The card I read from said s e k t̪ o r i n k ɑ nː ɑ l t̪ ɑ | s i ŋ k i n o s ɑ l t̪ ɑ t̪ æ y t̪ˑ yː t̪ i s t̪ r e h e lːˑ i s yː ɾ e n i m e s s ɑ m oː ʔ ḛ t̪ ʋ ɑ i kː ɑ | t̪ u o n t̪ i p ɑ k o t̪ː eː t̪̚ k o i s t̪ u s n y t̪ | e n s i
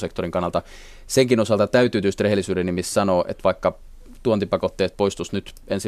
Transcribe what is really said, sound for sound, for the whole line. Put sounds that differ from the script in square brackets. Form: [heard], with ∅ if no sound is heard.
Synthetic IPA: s e k t̪ o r i [ŋ] k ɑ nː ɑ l t̪ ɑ | s [e] ŋ k i n o s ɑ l t̪ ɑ t̪ æ y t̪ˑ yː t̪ [y] s t̪ r e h e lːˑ i s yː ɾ e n i m [i] s s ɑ [n] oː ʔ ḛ t̪ ʋ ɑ i kː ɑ | t̪ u o n t̪ i p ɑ k o t̪ː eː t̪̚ [p] o i s t̪ u s n y t̪ | e n s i